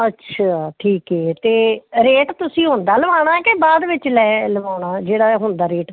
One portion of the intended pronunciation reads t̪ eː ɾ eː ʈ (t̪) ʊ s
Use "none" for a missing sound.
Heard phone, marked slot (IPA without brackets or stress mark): t̪